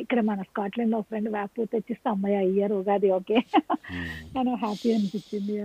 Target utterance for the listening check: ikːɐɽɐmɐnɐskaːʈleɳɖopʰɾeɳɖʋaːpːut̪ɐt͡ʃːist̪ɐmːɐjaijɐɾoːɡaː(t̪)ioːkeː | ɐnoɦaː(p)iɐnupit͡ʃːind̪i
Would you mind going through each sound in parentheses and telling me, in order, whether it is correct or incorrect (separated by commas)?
incorrect, correct